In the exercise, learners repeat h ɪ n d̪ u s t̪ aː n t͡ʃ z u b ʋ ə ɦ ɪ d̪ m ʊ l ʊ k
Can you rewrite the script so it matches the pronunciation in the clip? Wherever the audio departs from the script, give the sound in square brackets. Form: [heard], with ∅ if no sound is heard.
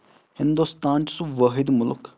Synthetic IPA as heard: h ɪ n d̪ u s t̪ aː n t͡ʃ [s] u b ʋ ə ɦ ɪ d̪ m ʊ l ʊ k

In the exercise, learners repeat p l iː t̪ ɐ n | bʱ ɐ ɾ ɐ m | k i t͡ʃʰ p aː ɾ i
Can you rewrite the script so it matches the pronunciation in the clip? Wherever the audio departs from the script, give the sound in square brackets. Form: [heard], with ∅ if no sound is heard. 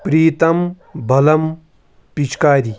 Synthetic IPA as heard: p [ɾ] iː t̪ ɐ [m] | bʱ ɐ [l] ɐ m | [p] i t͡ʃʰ [k] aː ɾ i

